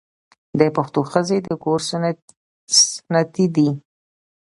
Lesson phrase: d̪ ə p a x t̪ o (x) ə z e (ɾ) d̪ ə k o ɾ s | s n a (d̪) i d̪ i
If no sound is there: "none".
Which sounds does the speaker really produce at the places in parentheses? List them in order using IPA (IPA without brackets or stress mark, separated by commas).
x, none, t̪